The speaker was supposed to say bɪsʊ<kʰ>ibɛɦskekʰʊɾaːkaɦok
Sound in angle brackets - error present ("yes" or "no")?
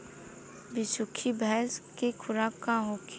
no